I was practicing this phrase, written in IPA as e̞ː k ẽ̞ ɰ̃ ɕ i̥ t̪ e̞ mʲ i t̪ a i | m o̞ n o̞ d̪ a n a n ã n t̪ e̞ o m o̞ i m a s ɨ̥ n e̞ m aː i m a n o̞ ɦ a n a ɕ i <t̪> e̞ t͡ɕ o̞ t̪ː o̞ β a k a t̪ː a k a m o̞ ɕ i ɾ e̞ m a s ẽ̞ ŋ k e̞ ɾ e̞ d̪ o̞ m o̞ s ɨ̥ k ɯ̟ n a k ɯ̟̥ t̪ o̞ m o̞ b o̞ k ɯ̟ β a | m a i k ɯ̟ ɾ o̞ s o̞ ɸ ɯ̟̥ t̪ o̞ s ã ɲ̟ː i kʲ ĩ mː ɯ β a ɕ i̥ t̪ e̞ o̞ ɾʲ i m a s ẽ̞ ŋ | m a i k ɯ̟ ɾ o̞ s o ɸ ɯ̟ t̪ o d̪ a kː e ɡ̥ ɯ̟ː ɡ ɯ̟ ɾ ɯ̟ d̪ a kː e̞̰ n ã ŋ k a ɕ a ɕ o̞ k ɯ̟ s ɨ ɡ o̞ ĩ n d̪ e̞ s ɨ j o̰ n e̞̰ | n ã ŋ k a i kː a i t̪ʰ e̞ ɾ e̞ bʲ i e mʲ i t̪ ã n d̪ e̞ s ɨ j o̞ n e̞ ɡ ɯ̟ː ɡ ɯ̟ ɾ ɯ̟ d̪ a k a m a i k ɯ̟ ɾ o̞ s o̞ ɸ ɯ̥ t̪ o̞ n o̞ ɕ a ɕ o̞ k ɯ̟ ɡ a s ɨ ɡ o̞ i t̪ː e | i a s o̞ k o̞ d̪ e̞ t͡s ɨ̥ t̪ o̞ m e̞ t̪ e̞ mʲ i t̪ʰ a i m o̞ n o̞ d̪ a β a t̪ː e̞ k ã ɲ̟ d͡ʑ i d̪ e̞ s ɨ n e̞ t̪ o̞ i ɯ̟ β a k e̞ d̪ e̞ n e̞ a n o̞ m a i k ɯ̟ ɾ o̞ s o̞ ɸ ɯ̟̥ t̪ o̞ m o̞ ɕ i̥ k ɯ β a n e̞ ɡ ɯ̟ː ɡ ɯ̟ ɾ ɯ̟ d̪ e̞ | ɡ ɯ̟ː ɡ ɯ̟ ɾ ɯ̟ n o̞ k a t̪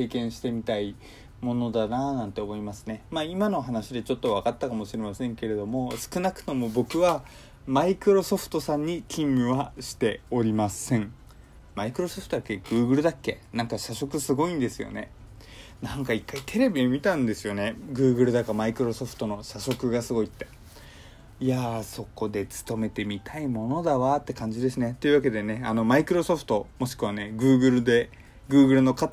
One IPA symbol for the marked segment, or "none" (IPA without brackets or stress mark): d̪